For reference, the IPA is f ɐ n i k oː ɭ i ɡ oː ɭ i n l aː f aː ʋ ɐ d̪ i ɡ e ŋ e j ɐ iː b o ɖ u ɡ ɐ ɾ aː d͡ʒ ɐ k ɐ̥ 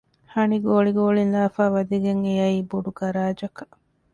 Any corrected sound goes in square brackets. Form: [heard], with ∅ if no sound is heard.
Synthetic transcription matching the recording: [h] ɐ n i [ɡ] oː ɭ i ɡ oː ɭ i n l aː f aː ʋ ɐ d̪ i ɡ e ŋ e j ɐ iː b o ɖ u ɡ ɐ ɾ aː d͡ʒ ɐ k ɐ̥